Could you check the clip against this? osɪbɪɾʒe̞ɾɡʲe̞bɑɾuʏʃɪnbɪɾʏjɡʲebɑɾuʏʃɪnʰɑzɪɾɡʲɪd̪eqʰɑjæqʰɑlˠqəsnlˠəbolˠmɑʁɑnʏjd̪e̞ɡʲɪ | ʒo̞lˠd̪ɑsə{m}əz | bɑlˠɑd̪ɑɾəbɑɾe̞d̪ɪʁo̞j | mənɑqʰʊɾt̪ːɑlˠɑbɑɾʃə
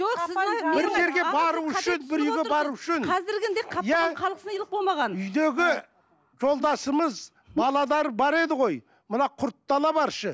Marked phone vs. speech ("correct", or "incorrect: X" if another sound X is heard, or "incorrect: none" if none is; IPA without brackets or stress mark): correct